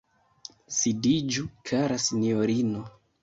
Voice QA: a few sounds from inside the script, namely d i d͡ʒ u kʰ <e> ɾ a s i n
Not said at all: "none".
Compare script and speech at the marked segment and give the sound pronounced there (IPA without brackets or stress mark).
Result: a